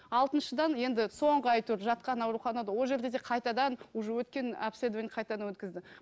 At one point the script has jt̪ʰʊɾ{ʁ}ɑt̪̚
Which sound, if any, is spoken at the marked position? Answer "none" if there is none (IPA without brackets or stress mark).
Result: ʒ